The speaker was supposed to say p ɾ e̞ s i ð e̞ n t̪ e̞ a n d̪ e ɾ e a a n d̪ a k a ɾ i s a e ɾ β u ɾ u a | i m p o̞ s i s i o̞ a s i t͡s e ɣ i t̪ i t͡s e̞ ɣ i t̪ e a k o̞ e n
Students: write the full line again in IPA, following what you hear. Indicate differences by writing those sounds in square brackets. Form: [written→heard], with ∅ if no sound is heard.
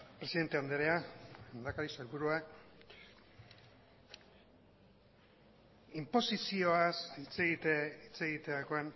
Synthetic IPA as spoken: p ɾ e̞ s i ð e̞ n t̪ e̞ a n d̪ e ɾ e a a n d̪ a k a ɾ i s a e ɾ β u ɾ u a | i m p o̞ s i s i o̞ a s i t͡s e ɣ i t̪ i t͡s e̞ ɣ i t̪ e a k o̞ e n